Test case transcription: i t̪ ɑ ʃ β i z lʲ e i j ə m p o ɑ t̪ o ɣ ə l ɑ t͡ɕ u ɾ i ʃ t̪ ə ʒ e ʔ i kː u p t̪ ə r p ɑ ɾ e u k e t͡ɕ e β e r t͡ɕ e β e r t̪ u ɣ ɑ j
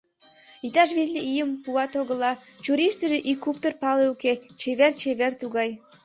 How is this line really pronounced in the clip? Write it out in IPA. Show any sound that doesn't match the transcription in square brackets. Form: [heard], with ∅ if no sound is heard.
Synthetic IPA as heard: i t̪ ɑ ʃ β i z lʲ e i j ə m p [u] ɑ t̪ o ɣ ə l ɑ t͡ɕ u ɾ i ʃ t̪ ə ʒ e ʔ i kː u p t̪ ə r p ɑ [l] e u k e t͡ɕ e β e r t͡ɕ e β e r t̪ u ɣ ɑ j